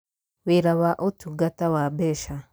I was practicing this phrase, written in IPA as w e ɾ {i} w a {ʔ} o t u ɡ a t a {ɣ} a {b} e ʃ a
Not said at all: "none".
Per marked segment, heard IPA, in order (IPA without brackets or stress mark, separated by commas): a, ʔ, w, b